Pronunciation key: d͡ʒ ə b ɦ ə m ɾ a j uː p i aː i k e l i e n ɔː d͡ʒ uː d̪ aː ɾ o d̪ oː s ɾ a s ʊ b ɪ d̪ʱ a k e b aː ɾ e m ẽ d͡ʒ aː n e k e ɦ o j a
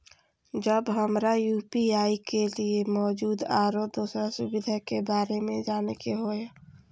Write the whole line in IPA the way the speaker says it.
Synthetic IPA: d͡ʒ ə b ɦ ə m ɾ a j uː p i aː i k e l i e m ɔː d͡ʒ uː d̪ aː ɾ o d̪ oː s ɾ a s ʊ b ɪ d̪ʱ a k e b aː ɾ e m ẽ d͡ʒ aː n e k e ɦ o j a